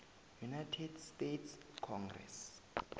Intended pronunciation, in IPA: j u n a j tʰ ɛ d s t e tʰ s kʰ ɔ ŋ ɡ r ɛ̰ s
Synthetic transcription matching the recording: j u n a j tʰ ɛ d s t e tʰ s kʰ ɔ ŋ ɡ r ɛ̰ s